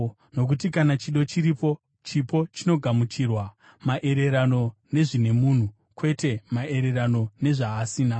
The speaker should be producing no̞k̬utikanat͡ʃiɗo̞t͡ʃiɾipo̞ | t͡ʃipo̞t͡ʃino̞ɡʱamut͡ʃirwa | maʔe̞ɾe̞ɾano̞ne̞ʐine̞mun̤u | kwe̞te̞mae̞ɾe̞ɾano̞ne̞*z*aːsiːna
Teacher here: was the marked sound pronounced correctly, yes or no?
no